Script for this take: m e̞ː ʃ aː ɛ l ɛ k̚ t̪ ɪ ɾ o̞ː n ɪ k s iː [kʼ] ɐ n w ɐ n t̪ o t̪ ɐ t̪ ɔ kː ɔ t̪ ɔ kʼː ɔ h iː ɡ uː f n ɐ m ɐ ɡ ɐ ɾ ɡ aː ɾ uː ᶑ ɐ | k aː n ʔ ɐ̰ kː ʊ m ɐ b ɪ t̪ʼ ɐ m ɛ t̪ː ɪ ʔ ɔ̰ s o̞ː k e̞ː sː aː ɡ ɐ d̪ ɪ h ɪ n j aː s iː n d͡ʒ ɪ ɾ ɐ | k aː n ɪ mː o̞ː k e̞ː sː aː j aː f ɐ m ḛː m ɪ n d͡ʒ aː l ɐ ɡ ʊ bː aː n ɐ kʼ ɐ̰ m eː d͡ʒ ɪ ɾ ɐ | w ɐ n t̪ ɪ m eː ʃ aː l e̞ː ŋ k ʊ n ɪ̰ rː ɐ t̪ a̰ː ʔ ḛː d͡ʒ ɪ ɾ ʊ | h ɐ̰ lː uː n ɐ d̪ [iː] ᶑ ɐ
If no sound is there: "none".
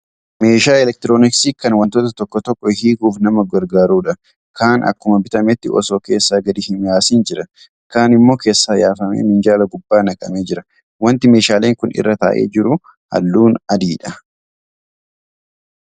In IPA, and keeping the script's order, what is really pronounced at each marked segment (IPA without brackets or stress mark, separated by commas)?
k, iː